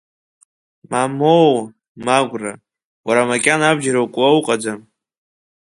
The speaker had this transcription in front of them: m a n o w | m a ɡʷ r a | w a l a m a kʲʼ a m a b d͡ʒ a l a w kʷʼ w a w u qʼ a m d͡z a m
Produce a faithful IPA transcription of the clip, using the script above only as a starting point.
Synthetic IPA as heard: m a m o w | m a ɡʷ r a | w a ɾ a m a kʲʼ a n a b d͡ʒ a ɾ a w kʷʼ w a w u qʼ a d͡z a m